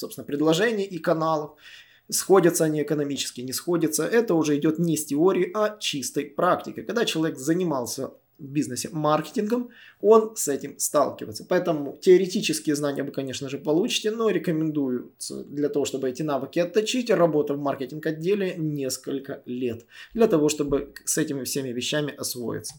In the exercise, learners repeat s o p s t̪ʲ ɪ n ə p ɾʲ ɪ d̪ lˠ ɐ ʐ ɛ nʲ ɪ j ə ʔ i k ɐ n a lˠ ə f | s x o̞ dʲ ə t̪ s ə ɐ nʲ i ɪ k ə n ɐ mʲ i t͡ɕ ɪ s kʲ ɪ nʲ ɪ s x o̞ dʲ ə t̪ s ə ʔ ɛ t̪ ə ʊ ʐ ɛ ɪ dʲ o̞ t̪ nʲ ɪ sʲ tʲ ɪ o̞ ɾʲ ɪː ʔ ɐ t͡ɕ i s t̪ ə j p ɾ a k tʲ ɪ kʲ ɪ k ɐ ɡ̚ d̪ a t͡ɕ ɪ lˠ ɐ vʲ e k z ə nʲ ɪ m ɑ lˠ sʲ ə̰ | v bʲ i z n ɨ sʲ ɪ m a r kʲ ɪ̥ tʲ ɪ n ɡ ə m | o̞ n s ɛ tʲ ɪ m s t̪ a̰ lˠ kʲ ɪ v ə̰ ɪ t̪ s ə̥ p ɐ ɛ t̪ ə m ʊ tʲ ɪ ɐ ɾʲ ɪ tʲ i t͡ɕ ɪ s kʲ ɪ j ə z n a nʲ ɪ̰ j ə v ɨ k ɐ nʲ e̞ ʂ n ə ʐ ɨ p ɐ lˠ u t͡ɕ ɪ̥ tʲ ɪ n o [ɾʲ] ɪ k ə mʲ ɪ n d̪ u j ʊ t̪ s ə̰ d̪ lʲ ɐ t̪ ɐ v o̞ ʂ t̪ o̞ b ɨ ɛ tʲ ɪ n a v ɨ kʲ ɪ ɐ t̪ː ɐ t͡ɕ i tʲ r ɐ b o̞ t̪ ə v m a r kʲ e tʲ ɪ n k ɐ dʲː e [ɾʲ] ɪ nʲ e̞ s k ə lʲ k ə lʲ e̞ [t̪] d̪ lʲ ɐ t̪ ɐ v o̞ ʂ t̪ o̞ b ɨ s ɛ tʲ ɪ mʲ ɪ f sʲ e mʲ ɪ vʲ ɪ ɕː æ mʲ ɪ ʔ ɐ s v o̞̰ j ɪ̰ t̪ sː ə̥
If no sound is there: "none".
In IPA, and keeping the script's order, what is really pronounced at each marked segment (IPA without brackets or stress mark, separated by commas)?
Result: ɾʲ, lʲ, t̪